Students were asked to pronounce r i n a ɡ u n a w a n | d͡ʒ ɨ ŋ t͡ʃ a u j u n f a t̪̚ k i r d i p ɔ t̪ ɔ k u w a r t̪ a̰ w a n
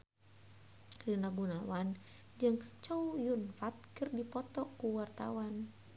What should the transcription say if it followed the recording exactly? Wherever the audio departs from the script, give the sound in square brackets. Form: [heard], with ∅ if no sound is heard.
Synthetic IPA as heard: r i n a ɡ u n a w a n | d͡ʒ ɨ ŋ t͡ʃ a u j u n f a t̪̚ k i r d i p ɔ t̪ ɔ k u w a r t̪ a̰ w a n